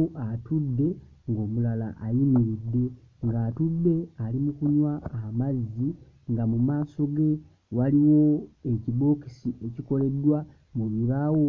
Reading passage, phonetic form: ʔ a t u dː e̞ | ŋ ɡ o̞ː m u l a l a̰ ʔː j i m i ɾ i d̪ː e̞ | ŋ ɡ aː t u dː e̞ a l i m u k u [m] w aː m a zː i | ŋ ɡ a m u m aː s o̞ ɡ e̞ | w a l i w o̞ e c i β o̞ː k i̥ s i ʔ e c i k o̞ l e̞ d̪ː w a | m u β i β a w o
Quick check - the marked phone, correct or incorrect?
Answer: incorrect